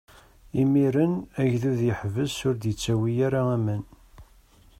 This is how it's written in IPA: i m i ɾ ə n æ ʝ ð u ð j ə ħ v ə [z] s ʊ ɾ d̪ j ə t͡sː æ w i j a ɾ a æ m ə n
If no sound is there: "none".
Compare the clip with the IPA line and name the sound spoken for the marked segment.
z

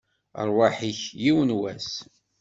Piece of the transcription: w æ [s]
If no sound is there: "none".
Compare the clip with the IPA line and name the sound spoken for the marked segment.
s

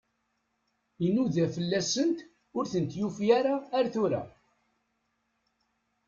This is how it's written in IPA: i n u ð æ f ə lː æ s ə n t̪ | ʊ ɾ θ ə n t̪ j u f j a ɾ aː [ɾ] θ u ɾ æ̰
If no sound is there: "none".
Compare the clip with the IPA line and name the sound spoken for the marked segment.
ɾ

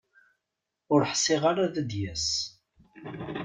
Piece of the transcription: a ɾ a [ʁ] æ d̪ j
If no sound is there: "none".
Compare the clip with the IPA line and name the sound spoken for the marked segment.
ð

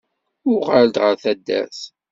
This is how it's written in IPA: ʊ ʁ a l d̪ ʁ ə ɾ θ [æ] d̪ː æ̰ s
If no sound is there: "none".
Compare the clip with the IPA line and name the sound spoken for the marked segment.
æ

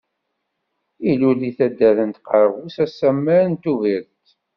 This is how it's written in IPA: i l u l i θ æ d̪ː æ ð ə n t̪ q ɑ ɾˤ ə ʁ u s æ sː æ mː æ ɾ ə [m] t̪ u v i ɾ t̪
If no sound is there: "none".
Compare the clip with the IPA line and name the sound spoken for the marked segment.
n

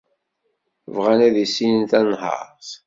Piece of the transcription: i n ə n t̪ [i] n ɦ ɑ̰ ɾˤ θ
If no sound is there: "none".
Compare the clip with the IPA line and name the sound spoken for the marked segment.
æ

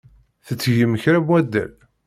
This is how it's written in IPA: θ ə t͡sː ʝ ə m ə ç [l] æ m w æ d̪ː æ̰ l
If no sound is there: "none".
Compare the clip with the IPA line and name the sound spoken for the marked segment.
ɾ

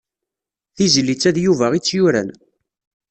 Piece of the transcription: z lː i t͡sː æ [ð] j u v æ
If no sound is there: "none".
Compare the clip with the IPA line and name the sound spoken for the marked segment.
ð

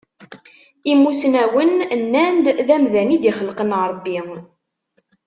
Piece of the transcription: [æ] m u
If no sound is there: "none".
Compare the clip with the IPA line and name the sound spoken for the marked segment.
i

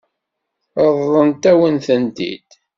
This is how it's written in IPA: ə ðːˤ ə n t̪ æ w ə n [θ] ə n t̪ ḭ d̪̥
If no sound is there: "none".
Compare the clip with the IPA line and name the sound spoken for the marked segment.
θ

